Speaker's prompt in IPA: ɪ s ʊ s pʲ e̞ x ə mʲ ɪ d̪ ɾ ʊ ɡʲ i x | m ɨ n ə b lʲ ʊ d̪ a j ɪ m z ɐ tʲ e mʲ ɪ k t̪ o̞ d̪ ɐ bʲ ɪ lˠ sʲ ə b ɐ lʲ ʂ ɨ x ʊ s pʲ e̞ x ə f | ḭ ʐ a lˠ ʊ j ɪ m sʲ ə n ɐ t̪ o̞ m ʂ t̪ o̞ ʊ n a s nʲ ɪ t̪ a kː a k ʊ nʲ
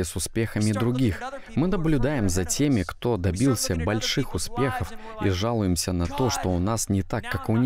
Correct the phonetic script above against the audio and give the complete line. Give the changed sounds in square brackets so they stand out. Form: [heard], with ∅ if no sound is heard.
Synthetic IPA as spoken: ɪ s ʊ s pʲ e̞ x ə mʲ ɪ d̪ ɾ ʊ ɡʲ i x | m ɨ n ə b lʲ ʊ d̪ a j ɪ m z ɐ tʲ e mʲ ɪ k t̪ o̞ d̪ ɐ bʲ [i] lˠ sʲ ə b ɐ lʲ ʂ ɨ x ʊ s pʲ e̞ x ə f | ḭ ʐ a lˠ ʊ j ɪ m sʲ ə n ɐ t̪ o̞ [∅] ʂ t̪ o̞ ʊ n a s nʲ ɪ t̪ a kː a k ʊ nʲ

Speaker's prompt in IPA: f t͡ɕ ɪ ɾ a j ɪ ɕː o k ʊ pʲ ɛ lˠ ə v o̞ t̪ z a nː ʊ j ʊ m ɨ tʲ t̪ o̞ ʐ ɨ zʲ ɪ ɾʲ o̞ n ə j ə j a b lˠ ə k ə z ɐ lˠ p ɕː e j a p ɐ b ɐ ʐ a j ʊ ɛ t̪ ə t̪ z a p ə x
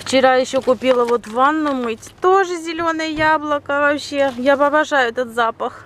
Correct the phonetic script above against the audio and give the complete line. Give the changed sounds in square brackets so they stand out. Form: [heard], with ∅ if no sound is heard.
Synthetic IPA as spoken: f t͡ɕ ɪ ɾ a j ɪ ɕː o k ʊ pʲ [i] lˠ ə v o̞ t̪ [v] a nː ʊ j ʊ m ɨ tʲ t̪ o̞ ʐ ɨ zʲ ɪ [lʲ] o̞ n ə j ə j a b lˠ ə k ə [v] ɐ [∅] p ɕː e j a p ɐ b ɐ ʐ a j ʊ ɛ t̪ ə t̪ z a p ə x

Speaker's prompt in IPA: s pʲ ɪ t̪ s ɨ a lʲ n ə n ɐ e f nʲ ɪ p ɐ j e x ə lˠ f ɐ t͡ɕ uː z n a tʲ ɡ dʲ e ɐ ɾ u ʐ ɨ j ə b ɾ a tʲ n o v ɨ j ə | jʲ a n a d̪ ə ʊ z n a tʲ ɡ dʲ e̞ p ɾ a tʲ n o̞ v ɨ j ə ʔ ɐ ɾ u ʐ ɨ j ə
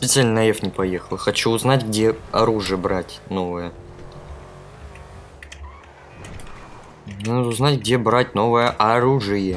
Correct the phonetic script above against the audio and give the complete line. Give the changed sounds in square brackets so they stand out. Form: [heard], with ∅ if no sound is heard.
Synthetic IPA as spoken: s pʲ ɪ t̪ s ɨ a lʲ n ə n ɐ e f nʲ ɪ p ɐ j e x ə lˠ [x] ɐ t͡ɕ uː z n a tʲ ɡ dʲ e ɐ ɾ u ʐ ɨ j ə b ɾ a tʲ n o v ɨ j ə | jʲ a n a d̪ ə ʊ z n a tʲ ɡ dʲ e̞ [b] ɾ a tʲ n o̞ v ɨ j ə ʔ ɐ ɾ u ʐ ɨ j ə

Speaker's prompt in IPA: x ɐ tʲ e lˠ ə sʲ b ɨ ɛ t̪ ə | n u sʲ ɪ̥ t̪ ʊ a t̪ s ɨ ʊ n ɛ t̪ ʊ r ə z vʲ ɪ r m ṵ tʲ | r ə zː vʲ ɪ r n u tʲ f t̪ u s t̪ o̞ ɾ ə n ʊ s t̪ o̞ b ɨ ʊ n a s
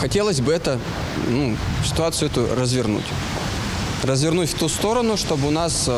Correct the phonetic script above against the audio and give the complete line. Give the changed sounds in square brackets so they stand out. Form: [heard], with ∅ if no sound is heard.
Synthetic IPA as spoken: x ɐ tʲ e lˠ ə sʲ b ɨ ɛ t̪ ə | n u sʲ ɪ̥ t̪ ʊ a t̪ s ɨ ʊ [∅] ɛ t̪ ʊ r ə z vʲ ɪ r [n] ṵ tʲ | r ə [z] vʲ ɪ r n u tʲ f t̪ u s t̪ o̞ ɾ ə n ʊ [ʂ] t̪ o̞ b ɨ ʊ n a s

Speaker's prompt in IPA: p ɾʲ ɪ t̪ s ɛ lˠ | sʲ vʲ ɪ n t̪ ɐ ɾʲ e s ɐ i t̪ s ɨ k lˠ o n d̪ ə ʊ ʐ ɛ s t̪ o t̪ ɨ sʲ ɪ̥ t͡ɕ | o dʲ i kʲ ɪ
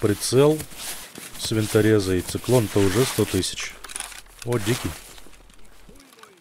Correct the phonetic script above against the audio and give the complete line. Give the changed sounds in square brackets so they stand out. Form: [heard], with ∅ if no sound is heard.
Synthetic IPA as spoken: p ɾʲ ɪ t̪ s ɛ lˠ | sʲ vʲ ɪ n t̪ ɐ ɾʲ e [z] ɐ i t̪ s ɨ k lˠ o n [t̪] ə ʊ ʐ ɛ s t̪ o t̪ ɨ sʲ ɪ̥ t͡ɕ | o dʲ i kʲ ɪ

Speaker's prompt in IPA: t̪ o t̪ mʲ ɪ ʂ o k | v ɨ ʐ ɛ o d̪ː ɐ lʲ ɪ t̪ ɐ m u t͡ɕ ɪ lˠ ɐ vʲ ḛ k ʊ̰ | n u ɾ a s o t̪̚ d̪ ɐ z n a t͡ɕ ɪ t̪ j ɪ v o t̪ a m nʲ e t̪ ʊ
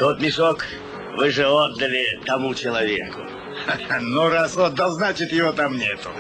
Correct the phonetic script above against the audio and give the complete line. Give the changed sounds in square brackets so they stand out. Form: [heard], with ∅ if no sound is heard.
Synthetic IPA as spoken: t̪ o t̪ mʲ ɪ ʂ o k | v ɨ ʐ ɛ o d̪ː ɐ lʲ ɪ t̪ ɐ m u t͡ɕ ɪ lˠ ɐ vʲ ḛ k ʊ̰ | n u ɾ a s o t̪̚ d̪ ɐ z n a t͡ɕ ɪ t̪ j ɪ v o t̪ a m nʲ e t̪ ʊ

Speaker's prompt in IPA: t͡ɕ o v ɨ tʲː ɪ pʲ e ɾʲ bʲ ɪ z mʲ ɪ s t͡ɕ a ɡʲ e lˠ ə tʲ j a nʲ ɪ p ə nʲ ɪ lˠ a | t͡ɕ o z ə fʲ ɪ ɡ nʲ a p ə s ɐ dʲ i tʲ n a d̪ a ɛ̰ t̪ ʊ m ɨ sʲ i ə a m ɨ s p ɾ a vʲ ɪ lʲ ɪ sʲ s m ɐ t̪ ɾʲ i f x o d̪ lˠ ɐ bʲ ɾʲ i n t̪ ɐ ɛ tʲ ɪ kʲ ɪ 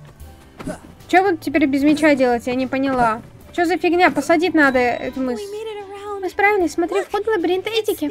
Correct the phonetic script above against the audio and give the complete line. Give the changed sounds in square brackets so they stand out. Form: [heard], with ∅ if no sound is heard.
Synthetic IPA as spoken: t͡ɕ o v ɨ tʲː ɪ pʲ e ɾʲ bʲ ɪ z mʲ ɪ [∅] t͡ɕ a [dʲ] e lˠ ə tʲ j a nʲ ɪ p ə nʲ ɪ lˠ a | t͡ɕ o z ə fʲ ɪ ɡ nʲ a p ə s ɐ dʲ i tʲ n a d̪ [ə] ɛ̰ t̪ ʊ m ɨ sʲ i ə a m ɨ s p ɾ a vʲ ɪ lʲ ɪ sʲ s m ɐ t̪ ɾʲ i f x o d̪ lˠ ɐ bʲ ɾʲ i n t̪ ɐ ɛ tʲ ɪ kʲ ɪ

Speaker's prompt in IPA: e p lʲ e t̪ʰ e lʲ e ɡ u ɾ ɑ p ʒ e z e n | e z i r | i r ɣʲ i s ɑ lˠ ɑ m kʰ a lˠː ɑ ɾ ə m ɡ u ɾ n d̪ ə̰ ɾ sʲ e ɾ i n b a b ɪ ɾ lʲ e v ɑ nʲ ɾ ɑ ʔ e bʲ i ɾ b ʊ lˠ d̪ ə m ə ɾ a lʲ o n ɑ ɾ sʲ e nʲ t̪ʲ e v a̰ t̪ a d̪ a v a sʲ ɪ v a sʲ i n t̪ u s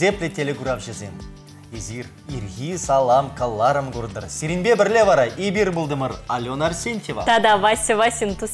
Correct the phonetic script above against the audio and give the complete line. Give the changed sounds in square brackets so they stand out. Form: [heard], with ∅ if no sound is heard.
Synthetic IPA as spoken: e p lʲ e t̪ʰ e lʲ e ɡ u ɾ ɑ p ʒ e z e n | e z i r | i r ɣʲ i s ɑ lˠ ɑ m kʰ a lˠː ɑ ɾ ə m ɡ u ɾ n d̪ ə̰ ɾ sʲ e ɾ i n b [e] b ɪ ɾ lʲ e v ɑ [∅] ɾ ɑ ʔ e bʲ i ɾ b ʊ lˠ d̪ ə m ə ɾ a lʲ o n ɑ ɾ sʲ e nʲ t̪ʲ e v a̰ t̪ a d̪ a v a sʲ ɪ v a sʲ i n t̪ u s

